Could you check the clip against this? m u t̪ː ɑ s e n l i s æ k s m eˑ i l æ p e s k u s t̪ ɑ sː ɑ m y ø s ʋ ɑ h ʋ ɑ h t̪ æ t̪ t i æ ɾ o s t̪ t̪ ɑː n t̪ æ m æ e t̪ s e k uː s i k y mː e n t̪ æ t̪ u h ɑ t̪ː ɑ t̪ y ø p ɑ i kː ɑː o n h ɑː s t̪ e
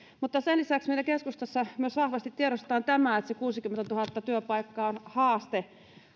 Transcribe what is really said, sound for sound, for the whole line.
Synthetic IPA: m u t̪ː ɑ s e n l i s æ k s m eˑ i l æ k e s k u s t̪ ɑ sː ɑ m y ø s ʋ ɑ h ʋ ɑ s t̪ i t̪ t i e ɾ o s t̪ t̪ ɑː n t̪ æ m æ e t̪ s e k uː s i k y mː e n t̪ æ t̪ u h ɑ t̪ː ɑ t̪ y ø p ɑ i kː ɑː o n h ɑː s t̪ e

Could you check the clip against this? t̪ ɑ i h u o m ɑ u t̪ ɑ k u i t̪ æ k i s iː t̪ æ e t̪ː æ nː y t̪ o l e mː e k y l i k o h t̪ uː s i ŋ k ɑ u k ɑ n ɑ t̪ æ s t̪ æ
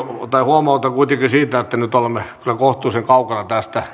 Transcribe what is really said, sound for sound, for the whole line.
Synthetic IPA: t̪ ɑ i h u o m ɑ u t̪ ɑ k u i t̪ e k i s iː t̪ æ e t̪ː æ n y t̪ o l e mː e k y l æ k o h t̪ uː s e ŋ k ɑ u k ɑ n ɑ t̪ æ s t̪ æ

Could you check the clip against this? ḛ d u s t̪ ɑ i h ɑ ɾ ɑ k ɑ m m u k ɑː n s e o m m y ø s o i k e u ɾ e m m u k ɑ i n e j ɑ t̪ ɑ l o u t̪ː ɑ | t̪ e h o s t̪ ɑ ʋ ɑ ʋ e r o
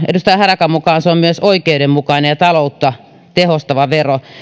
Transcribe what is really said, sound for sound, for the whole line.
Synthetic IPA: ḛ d u s t̪ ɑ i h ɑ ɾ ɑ k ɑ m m u k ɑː n s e o m m y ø s o i k e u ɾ e m m u k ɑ i n e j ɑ t̪ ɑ l o u t̪ː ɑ | t̪ e h o s t̪ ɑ ʋ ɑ ʋ e r o

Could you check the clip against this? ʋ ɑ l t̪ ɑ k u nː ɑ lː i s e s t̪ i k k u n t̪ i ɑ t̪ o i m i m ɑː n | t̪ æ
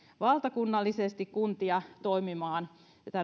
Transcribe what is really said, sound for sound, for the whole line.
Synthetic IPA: ʋ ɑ l t̪ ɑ k u nː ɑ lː i s e s t̪ i k k u n t̪ i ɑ t̪ o i m i m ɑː n | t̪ æ

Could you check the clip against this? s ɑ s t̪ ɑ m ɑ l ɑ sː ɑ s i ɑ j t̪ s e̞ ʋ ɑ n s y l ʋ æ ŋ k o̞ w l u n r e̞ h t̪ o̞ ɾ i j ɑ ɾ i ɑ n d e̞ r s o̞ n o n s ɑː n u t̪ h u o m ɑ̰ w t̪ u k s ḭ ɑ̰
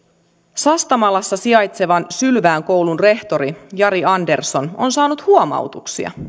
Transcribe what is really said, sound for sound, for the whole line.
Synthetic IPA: s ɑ s t̪ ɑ m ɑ l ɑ sː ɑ s i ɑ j t̪ s e̞ ʋ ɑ n s y l ʋ æː ŋ k o̞ w l u n r e̞ h t̪ o̞ ɾ i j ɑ ɾ i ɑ n d e̞ r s o̞ n o n s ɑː n u t̪ h u o m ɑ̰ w t̪ u k s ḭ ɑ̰

